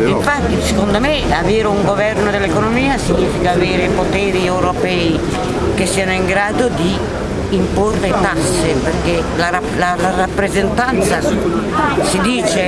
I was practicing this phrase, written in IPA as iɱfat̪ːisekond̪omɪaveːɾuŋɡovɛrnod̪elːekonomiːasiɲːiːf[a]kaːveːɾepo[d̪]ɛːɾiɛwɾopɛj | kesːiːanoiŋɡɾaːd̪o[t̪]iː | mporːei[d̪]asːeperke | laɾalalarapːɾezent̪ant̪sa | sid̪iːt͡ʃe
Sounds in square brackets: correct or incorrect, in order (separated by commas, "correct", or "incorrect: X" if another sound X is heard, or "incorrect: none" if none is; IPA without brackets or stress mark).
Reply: incorrect: i, incorrect: t̪, incorrect: d̪, incorrect: t̪